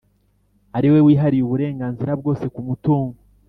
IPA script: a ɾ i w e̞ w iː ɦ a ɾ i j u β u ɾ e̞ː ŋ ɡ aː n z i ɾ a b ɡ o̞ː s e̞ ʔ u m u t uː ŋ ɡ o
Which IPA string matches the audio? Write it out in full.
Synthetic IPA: a ɾ i w e̞ w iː ɦ a ɾ i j u β u ɾ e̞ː ŋ ɡ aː n z i ɾ a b ɡ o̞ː s e̞ k u m u t uː ŋ ɡ o